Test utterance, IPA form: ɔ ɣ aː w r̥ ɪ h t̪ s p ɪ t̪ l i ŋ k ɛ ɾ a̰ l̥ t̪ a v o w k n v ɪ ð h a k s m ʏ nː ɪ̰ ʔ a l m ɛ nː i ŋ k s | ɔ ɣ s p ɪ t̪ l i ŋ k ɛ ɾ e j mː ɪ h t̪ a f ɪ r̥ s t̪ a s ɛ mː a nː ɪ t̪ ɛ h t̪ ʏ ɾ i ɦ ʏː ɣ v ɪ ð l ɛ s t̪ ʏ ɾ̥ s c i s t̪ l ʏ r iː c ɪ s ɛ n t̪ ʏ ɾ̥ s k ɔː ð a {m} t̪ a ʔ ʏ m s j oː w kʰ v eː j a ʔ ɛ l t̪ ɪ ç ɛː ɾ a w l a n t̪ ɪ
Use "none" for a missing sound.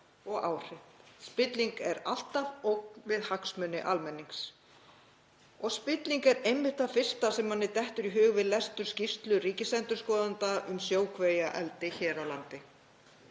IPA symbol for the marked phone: n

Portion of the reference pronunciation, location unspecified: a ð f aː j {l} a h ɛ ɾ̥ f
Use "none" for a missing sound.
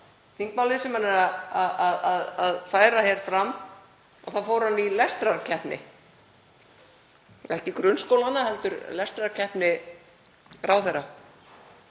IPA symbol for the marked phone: ɾ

